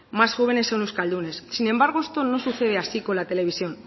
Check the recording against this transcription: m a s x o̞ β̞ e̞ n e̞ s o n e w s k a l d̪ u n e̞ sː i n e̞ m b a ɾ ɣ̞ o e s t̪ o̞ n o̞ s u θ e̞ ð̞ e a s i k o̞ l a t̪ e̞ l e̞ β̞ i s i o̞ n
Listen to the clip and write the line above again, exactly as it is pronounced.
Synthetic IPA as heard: m a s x o̞ β̞ e̞ n e̞ s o n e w s k a l d̪ u n e̞ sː i n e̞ m b a ɾ ɣ̞ o e s t̪ o̞ n o̞ s u θ e̞ ð̞ e a s i k o̞ l a t̪ e̞ l e̞ β̞ i s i o̞ n

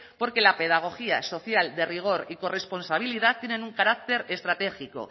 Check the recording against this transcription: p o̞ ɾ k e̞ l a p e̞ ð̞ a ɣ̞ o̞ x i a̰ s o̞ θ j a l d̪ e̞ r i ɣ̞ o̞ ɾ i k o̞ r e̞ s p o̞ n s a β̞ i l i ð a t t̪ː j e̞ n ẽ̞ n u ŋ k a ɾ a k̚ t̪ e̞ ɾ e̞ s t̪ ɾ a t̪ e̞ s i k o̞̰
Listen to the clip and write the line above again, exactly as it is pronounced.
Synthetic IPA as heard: p o̞ ɾ k e̞ l a p e̞ ð̞ a ɣ̞ o̞ x i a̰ s o̞ θ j a l d̪ e̞ r i ɣ̞ o̞ ɾ i k o̞ r e̞ s p o̞ n s a β̞ i l i ð a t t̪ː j e̞ n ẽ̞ n u ŋ k a ɾ a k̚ t̪ e̞ ɾ e̞ s t̪ ɾ a t̪ e̞ x i k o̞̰

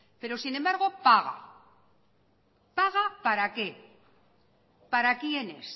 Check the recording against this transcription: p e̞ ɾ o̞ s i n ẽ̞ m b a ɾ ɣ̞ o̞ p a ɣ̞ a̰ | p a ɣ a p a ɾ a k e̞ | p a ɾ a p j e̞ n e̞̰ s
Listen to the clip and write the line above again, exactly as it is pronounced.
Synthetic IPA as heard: p e̞ ɾ o̞ s i n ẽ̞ m b a ɾ ɣ̞ o̞ p a ɣ̞ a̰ | p a ɣ a p a ɾ a k e̞ | p a ɾ a k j e̞ n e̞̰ s

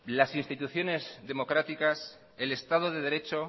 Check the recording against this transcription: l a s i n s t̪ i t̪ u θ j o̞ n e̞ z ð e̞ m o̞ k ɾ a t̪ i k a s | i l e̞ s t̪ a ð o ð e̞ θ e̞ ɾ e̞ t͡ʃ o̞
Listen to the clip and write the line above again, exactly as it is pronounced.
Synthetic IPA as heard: l a s i n s t̪ i t̪ u θ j o̞ n e̞ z ð e̞ m o̞ k ɾ a t̪ i k a s | e l e̞ s t̪ a ð o ð e̞ ð e̞ ɾ e̞ t͡ʃ o̞

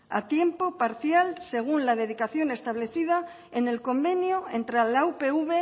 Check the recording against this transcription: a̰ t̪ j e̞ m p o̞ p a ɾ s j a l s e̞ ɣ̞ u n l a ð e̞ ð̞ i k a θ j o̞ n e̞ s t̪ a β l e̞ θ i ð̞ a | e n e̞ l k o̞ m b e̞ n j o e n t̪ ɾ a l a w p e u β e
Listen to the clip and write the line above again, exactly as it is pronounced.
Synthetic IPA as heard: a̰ t̪ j e̞ m p o̞ p a ɾ θ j a l s e̞ ɣ̞ u n l a ð e̞ ð̞ i k a θ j o̞ n e̞ s t̪ a β l e̞ θ i ð̞ a | e n e̞ l k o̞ m b e̞ n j o e n t̪ ɾ a l a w p e u β e

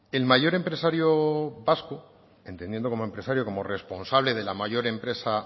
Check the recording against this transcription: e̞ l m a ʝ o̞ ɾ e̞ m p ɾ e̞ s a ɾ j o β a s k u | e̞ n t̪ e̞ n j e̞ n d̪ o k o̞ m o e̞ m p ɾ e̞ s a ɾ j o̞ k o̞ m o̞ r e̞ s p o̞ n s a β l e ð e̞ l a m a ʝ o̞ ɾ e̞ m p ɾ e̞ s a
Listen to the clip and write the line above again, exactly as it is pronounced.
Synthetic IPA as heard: e̞ l m a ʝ o̞ ɾ e̞ m p ɾ e̞ s a ɾ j o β a s k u | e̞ n t̪ e̞ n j e̞ n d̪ o k o̞ m o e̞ m p ɾ e̞ s a ɾ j o̞ k o̞ m o̞ r e̞ s p o̞ n s a β l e ð e̞ l a m a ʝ o̞ ɾ e̞ m p ɾ e̞ s a

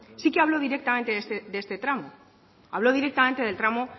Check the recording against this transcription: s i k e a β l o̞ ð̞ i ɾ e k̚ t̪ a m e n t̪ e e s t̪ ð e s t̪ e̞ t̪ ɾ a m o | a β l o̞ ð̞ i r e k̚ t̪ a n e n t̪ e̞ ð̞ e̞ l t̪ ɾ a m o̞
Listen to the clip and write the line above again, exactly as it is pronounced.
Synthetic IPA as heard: s i k e a β l o̞ ð̞ i ɾ e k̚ t̪ a m e n t̪ e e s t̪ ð e s t̪ e̞ t̪ ɾ a m o | a β l o̞ ð̞ i ɾ e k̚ t̪ a m e n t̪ e̞ ð̞ e̞ l t̪ ɾ a m o̞

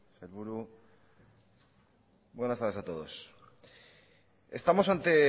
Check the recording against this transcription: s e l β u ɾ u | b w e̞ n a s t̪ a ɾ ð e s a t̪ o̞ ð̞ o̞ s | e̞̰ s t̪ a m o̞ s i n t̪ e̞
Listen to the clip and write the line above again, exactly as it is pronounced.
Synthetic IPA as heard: s e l β u ɾ u | b w e̞ n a s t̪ a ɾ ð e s a t̪ o̞ ð̞ o̞ s | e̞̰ s t̪ a m o̞ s a n t̪ e̞

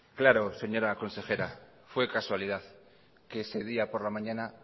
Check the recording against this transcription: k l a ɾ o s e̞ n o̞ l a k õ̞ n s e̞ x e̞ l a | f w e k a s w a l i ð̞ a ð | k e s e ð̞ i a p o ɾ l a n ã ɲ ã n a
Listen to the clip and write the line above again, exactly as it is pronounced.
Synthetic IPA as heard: k l a ɾ o s e̞ ɲ o̞ ɾ a k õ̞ n s e̞ x e̞ ɾ a | f w e k a s w a l i ð̞ a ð | k e s e ð̞ i a p o ɾ l a m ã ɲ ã n a

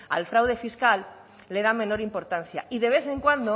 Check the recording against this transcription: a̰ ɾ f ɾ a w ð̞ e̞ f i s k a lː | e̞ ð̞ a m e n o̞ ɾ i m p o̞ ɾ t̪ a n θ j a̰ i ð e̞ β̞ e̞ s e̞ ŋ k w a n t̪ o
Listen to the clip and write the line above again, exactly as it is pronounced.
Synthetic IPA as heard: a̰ l f ɾ a w ð̞ e̞ f i s k a lː | e̞ ð̞ a m e n o̞ ɾ i m p o̞ ɾ t̪ a n θ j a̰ i ð e̞ β̞ e̞ θ e̞ ŋ k w a n d̪ o

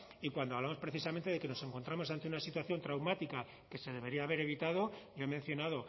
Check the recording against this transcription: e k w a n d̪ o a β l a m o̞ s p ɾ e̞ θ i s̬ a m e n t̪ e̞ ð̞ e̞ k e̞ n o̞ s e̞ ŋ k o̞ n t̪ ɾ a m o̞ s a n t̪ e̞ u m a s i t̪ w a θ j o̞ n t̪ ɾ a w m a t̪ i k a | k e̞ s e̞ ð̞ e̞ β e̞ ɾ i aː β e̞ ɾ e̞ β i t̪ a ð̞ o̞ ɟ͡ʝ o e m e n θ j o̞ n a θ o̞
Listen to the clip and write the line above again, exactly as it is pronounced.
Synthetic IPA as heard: i k w a n d̪ o a β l a m o̞ s p ɾ e̞ θ i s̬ a m e n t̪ e̞ ð̞ e̞ k e̞ n o̞ s e̞ ŋ k o̞ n t̪ ɾ a m o̞ s a n t̪ e̞ u n a s i t̪ w a θ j o̞ n t̪ ɾ a w m a t̪ i k a | k e̞ s e̞ ð̞ e̞ β e̞ ɾ i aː β e̞ ɾ e̞ β i t̪ a ð̞ o̞ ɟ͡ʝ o e m e n θ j o̞ n a ð o̞

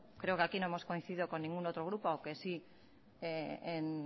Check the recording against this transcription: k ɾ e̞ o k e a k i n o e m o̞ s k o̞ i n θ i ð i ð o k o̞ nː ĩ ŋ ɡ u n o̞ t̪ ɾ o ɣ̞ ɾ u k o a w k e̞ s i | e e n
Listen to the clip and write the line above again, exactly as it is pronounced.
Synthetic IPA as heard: k ɾ e̞ o k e a k i n o e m o̞ s k o̞ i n θ i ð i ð o k o̞ nː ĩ ŋ ɡ u n o̞ t̪ ɾ o ɣ̞ ɾ u p o a w k e̞ s i | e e n

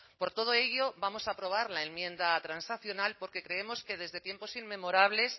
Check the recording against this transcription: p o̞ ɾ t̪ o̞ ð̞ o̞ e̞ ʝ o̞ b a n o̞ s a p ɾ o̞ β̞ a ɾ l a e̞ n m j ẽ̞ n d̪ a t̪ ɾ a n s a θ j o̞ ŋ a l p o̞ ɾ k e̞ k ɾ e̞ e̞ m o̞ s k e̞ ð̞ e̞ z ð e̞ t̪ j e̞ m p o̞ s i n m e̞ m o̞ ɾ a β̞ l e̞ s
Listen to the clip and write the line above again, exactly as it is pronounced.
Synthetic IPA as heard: p o̞ ɾ t̪ o̞ ð̞ o̞ e̞ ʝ o̞ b a m o̞ s a p ɾ o̞ β̞ a ɾ l a e̞ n m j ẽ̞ n d̪ a t̪ ɾ a n s a θ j o̞ n a l p o̞ ɾ k e̞ k ɾ e̞ e̞ m o̞ s k e̞ ð̞ e̞ z ð e̞ t̪ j e̞ m p o̞ s i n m e̞ m o̞ ɾ a β̞ l e̞ s

